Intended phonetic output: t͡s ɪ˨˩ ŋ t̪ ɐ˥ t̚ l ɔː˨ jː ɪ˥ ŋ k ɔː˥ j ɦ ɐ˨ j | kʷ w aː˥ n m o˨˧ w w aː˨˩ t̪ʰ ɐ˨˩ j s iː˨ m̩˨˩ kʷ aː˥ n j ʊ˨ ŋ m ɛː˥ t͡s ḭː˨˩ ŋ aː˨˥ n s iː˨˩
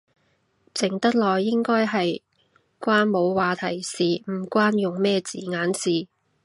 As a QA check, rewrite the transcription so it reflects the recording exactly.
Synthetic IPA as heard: t͡s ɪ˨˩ ŋ t̪ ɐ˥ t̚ l ɔː˨ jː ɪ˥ ŋ k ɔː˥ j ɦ ɐ˨ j | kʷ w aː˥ n m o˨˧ w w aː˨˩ t̪ʰ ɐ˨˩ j s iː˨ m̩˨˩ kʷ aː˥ n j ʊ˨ ŋ m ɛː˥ t͡s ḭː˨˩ ŋ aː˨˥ n s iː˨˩